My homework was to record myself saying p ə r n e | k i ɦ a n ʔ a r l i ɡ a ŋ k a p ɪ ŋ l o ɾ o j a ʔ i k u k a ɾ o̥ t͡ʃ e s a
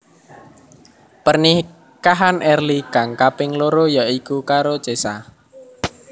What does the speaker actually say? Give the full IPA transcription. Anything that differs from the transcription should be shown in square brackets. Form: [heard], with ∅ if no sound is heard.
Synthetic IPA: p ə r n [i] | k [a] ɦ a n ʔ [ɛ] r l i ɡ a ŋ k a p ɪ ŋ l o ɾ o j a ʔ i k u k a ɾ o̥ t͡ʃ e s a